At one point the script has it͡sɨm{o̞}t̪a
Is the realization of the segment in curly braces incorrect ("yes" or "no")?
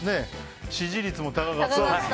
no